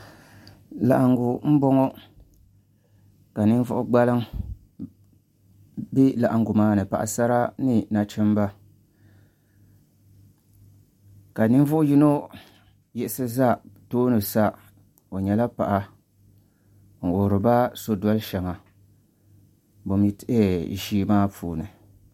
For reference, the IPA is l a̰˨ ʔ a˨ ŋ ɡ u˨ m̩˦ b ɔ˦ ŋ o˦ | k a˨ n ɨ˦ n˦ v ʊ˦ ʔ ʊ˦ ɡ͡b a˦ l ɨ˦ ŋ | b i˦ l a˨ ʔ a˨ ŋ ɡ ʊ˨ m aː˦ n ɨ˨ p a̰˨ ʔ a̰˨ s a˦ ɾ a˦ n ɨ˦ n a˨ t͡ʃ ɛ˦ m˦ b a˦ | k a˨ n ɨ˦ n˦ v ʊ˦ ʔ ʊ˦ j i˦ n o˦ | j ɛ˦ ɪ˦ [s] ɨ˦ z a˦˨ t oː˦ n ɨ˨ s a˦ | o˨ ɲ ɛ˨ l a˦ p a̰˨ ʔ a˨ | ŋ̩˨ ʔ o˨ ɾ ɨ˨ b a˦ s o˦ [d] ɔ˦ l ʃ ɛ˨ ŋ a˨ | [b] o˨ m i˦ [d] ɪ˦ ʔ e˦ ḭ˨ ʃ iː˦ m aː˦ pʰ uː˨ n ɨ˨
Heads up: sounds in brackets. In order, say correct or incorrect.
correct, correct, correct, incorrect: t

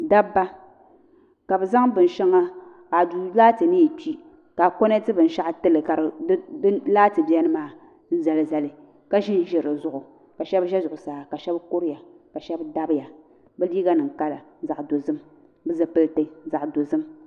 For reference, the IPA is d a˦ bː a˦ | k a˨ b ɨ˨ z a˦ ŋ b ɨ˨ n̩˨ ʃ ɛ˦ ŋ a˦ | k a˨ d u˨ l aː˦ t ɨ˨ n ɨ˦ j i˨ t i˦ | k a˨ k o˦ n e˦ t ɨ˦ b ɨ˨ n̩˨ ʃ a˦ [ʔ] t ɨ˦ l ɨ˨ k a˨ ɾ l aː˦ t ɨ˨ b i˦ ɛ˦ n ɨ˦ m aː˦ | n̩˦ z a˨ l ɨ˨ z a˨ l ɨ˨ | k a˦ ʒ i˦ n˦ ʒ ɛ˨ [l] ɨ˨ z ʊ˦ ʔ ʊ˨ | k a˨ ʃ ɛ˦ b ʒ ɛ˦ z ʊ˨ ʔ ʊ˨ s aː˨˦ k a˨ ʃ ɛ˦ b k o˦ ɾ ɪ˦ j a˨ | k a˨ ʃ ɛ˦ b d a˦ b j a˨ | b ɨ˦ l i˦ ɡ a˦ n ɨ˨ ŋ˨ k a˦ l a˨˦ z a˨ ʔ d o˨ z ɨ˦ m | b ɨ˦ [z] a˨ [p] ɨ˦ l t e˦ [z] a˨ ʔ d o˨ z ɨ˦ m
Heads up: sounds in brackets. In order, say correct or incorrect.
correct, incorrect: ɾ, correct, correct, correct

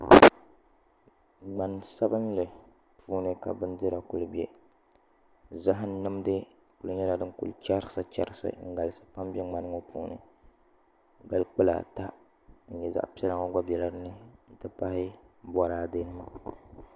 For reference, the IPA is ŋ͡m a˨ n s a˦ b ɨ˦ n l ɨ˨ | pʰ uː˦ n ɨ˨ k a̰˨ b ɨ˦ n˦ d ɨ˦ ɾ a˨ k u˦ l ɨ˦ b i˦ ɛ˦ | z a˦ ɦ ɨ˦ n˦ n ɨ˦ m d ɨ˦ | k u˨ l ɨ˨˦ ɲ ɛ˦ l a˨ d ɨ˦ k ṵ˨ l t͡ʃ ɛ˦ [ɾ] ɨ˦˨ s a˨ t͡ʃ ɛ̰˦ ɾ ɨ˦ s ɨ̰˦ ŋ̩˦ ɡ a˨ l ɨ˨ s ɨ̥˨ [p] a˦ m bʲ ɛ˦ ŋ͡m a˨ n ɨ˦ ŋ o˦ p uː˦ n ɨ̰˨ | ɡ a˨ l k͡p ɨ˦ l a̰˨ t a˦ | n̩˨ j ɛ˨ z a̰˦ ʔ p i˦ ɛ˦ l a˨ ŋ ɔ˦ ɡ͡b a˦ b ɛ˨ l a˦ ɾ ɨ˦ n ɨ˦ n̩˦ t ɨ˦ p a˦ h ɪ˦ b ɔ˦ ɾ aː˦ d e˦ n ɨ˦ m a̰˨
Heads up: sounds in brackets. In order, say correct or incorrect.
correct, correct

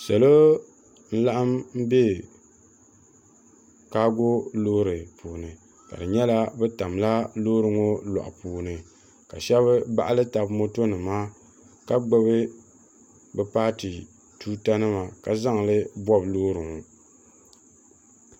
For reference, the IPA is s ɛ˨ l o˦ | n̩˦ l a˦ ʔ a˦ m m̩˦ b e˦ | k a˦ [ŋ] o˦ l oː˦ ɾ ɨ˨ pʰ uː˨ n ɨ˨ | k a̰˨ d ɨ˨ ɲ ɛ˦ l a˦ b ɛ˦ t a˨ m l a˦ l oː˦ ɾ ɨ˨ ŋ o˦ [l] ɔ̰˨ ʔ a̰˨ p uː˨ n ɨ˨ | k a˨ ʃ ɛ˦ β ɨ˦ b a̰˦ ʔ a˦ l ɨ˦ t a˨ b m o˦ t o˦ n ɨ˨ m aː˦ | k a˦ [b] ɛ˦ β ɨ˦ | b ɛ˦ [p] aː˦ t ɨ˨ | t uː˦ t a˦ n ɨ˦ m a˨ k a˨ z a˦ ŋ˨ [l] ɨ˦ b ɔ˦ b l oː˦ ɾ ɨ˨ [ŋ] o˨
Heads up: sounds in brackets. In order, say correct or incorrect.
incorrect: ɡ, correct, incorrect: ɡ͡b, correct, correct, correct

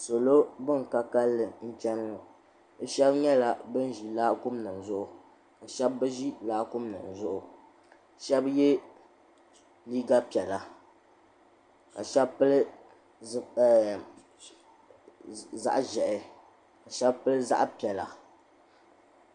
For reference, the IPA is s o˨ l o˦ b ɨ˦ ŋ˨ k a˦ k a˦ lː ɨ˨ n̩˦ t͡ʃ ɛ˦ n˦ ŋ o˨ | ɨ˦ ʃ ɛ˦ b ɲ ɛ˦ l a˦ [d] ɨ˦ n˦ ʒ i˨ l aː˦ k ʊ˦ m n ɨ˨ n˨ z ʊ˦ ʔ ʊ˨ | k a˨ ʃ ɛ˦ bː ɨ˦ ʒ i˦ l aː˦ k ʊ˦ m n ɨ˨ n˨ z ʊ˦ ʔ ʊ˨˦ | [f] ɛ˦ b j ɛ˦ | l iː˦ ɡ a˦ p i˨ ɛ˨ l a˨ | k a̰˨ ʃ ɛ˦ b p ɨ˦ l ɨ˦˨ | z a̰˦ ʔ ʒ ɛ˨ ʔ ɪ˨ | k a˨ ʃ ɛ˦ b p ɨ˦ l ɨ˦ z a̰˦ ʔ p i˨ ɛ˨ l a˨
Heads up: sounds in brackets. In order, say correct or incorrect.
incorrect: b, incorrect: ʃ

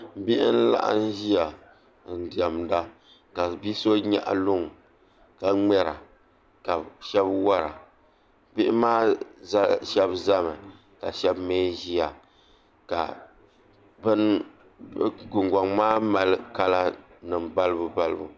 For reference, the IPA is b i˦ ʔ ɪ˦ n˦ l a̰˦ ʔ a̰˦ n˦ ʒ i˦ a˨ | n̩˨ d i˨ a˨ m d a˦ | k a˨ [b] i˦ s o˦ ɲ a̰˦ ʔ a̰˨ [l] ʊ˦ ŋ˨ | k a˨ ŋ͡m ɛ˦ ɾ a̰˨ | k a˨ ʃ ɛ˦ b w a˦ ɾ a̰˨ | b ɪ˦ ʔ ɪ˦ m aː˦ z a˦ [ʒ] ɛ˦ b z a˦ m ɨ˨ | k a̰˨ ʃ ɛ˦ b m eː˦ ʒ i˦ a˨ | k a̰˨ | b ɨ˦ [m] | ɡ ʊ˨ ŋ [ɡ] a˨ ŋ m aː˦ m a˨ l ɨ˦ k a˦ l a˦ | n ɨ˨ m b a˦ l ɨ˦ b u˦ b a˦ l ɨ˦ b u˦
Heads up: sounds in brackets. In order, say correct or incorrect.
correct, correct, incorrect: ʃ, incorrect: n, correct

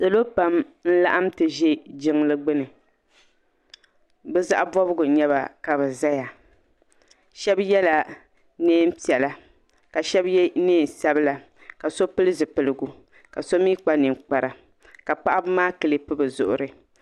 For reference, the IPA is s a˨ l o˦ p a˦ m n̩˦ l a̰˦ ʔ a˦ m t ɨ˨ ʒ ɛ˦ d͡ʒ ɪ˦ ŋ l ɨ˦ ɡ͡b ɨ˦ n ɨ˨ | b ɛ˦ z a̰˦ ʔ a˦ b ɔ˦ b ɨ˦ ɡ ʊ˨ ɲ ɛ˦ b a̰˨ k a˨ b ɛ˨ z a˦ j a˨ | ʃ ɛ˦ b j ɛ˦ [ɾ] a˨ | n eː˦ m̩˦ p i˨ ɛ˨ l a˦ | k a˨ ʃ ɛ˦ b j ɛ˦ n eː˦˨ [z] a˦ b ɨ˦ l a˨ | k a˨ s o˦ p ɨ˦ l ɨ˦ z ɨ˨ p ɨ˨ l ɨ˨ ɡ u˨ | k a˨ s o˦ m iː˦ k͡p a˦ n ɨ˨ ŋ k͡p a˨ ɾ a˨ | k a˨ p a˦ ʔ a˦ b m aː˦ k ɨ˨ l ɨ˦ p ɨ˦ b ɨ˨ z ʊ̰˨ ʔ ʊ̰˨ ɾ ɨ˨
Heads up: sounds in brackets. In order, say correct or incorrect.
incorrect: l, incorrect: s

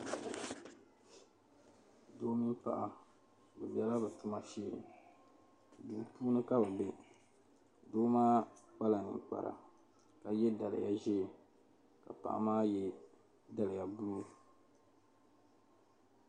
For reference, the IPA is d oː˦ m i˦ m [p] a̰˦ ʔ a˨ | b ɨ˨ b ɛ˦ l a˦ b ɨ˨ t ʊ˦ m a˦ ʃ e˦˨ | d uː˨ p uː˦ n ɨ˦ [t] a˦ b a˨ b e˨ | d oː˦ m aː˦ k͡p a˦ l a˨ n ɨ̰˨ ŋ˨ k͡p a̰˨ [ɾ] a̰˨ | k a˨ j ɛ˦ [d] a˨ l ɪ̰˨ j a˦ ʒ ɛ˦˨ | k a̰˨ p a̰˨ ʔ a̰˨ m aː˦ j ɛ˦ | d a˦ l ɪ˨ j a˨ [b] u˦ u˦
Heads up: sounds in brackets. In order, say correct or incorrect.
correct, incorrect: k, correct, correct, correct

